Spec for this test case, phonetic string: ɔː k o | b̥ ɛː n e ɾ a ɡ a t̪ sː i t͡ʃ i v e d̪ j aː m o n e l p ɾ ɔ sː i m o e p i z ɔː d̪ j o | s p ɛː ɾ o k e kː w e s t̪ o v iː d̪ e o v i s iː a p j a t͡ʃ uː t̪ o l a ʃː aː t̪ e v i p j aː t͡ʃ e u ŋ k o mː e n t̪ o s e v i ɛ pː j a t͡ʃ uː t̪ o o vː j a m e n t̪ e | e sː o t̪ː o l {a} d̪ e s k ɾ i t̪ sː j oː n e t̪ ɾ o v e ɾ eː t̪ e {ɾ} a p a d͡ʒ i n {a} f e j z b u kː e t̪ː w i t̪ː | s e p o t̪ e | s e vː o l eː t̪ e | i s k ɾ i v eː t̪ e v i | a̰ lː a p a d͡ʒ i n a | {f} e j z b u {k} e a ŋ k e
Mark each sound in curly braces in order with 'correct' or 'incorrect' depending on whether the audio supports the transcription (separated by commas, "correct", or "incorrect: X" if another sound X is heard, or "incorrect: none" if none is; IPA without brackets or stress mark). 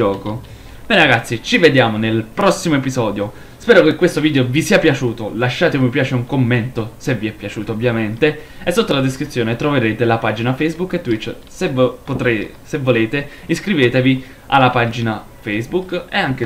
correct, incorrect: l, correct, correct, correct